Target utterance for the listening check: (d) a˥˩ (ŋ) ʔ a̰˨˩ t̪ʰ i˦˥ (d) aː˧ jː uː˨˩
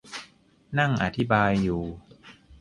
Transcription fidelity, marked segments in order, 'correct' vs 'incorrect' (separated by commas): incorrect, correct, incorrect